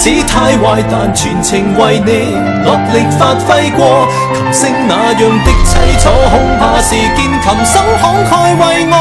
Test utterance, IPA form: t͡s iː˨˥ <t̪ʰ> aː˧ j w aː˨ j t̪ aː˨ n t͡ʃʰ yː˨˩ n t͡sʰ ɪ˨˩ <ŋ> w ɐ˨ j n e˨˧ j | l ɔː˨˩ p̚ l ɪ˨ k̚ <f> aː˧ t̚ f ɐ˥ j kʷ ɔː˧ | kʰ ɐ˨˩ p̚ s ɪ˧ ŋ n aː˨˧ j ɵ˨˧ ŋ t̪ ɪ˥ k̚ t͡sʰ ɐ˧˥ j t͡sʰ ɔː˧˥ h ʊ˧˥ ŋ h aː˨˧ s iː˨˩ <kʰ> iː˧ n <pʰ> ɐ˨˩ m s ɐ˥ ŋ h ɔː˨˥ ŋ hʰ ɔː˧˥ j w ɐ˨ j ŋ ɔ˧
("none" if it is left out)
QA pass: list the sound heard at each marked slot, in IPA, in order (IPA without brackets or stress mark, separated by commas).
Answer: t̪ʰ, ŋ, f, k, kʰ